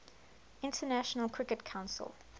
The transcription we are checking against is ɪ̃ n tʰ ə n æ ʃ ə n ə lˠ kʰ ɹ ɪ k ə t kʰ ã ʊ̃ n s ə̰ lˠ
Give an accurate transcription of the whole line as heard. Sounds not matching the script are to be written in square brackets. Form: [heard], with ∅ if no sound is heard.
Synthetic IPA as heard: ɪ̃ n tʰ ə n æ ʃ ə n ə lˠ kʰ ɹ ɪ k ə t kʰ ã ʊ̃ n s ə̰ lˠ